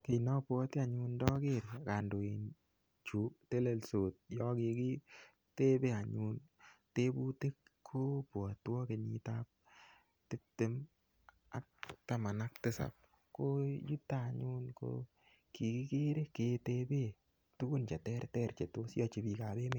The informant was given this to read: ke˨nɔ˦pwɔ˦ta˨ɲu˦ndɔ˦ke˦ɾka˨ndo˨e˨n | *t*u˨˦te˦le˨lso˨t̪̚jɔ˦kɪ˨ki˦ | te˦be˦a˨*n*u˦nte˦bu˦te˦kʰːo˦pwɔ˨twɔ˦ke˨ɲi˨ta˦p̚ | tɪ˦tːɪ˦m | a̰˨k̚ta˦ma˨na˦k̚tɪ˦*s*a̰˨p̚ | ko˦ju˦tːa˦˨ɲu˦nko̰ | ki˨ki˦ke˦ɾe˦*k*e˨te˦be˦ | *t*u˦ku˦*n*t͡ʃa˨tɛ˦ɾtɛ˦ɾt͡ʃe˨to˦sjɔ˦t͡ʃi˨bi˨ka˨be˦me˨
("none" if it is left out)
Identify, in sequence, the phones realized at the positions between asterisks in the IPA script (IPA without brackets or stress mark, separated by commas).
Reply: t͡ʃ, ɲ, s, k, t, n